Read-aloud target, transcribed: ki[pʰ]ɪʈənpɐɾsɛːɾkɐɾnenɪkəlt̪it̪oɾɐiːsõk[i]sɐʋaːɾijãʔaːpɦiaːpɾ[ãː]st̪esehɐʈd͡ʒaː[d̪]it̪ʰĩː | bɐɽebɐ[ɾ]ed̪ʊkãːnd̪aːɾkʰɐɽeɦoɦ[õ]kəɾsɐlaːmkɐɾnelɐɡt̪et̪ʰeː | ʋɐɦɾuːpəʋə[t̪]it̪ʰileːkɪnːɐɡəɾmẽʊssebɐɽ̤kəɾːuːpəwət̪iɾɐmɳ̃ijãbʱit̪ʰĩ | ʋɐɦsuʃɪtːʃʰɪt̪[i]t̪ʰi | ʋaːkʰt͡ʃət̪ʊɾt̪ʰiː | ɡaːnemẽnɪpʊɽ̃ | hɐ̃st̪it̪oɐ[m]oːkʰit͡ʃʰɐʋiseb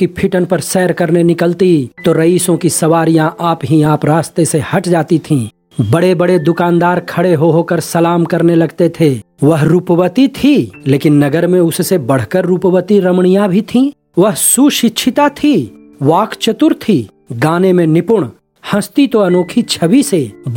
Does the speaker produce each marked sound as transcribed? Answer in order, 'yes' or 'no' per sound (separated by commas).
yes, yes, no, no, no, no, yes, no, no